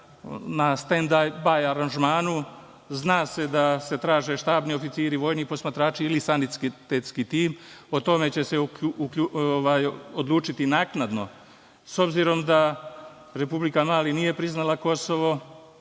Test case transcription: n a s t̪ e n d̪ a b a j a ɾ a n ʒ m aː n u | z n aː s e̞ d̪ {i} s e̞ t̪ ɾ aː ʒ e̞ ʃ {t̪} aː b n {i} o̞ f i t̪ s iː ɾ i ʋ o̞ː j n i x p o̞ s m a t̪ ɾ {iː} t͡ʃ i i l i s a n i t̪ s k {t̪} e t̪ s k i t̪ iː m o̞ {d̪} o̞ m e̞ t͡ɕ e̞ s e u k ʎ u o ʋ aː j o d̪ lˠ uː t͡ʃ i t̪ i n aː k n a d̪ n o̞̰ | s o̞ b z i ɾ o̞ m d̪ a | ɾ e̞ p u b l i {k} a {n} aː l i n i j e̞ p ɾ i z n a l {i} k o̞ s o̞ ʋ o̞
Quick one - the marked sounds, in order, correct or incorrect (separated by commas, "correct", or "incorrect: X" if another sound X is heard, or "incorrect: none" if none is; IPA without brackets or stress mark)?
incorrect: a, correct, correct, incorrect: aː, correct, incorrect: t̪, correct, incorrect: m, incorrect: a